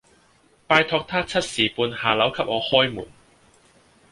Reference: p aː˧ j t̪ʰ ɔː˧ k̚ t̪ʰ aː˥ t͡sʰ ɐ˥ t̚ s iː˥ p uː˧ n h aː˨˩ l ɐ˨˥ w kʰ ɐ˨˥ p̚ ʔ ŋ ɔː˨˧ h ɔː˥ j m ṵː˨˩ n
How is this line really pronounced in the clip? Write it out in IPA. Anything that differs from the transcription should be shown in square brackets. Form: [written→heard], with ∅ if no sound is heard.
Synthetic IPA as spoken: p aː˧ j t̪ʰ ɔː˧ k̚ t̪ʰ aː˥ t͡sʰ ɐ˥ t̚ s [iː˥→iː˨˩] p uː˧ n h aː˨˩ l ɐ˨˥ w kʰ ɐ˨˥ p̚ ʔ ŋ ɔː˨˧ h ɔː˥ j m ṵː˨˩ n